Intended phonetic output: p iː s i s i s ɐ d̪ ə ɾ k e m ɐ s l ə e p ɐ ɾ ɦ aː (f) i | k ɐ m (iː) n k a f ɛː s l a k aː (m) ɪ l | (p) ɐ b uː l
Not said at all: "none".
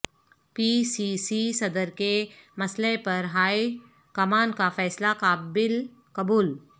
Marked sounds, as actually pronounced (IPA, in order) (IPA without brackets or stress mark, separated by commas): none, aː, b, k